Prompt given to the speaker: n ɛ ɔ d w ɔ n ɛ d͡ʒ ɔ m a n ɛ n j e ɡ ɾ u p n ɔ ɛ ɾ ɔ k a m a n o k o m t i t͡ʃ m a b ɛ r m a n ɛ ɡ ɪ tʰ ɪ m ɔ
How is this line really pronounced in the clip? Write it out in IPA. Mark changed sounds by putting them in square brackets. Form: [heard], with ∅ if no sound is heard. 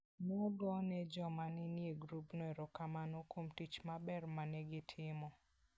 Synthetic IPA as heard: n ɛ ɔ d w ɔ n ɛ d͡ʒ ɔ m a n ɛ n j e ɡ ɾ u p n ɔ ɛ ɾ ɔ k a m a n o k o m t i t͡ʃ m a b ɛ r m a n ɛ ɡ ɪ tʰ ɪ m ɔ